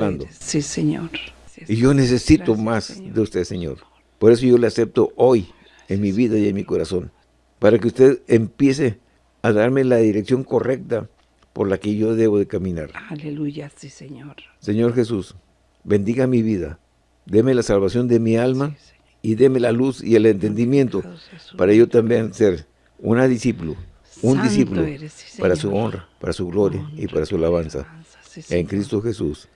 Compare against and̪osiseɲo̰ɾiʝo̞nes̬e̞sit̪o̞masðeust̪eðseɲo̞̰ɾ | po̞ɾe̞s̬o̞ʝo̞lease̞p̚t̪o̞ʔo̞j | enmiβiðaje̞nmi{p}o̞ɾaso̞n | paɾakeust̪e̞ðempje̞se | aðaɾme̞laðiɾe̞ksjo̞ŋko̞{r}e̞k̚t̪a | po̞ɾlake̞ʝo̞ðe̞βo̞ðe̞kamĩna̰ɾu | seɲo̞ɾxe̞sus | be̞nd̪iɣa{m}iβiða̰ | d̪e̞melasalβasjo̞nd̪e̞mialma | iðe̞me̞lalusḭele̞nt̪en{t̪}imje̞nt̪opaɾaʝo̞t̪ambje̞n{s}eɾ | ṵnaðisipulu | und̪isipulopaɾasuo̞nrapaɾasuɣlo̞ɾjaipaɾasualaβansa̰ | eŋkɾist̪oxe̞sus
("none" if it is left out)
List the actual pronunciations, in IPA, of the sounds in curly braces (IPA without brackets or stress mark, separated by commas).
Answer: k, r, m, d̪, s